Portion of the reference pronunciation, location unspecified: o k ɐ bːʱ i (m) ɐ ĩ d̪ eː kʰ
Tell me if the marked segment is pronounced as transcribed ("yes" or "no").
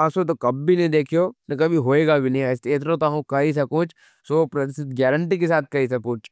no